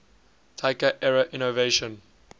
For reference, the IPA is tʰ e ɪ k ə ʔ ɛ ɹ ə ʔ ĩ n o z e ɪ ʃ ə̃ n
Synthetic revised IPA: tʰ a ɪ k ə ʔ ɛ ɹ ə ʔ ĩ n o v e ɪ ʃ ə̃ n